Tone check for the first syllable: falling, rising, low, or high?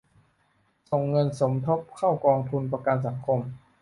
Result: low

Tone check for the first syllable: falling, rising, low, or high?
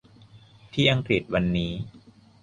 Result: falling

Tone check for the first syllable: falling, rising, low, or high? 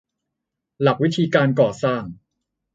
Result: low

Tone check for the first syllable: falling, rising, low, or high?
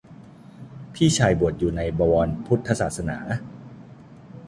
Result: falling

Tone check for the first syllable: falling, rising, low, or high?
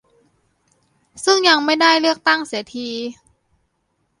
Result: falling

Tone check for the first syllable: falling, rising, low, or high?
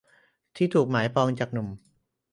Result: falling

